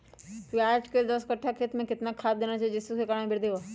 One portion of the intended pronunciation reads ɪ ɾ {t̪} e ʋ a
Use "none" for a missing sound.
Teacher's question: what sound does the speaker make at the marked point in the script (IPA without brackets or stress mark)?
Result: d̪